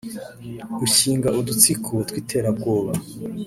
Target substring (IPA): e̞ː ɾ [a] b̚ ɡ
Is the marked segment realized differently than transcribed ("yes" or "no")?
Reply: no